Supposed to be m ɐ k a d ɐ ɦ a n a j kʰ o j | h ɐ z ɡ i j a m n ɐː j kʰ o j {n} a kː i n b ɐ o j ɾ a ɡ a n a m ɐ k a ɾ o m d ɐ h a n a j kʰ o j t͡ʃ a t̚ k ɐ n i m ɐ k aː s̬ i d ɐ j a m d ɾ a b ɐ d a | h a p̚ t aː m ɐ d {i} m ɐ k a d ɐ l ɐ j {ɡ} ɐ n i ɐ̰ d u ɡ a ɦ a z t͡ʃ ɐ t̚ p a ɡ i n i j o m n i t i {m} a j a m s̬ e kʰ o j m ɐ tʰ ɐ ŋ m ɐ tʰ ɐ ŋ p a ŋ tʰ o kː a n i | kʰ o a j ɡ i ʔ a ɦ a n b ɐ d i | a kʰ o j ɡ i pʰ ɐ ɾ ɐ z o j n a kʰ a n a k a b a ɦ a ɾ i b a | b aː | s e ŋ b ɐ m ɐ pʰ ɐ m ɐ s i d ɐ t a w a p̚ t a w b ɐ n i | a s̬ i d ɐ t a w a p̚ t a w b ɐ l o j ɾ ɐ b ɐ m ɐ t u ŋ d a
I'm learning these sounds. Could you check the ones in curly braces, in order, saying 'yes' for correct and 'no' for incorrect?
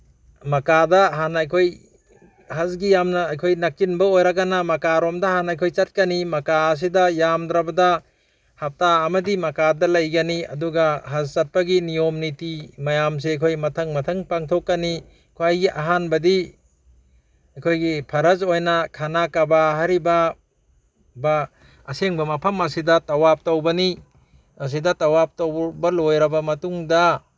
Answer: yes, yes, yes, yes

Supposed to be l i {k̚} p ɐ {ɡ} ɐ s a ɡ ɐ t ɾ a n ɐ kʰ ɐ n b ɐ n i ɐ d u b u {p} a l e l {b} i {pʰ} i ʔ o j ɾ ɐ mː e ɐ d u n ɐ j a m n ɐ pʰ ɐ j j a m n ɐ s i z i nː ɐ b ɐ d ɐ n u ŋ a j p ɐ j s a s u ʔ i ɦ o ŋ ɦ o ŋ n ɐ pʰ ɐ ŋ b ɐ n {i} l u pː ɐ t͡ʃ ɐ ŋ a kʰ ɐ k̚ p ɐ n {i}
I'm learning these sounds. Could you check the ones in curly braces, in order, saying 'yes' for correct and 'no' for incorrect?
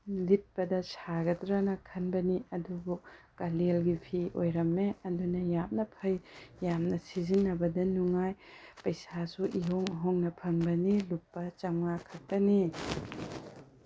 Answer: no, no, no, no, yes, yes, yes

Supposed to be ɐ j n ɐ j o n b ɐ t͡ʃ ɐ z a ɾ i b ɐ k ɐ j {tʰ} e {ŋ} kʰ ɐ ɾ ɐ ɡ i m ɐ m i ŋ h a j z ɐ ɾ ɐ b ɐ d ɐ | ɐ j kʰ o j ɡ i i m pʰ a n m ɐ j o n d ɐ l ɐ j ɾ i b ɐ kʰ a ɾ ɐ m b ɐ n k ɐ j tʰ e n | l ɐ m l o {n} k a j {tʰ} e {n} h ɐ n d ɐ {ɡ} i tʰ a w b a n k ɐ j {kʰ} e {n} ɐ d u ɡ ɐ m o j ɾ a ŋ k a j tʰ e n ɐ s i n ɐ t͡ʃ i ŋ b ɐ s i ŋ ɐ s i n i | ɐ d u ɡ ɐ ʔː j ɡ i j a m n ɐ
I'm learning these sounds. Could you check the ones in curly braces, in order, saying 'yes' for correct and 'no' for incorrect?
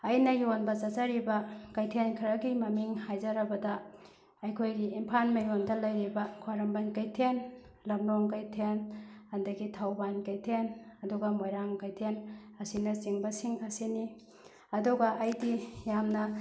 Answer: yes, no, no, yes, yes, yes, no, yes

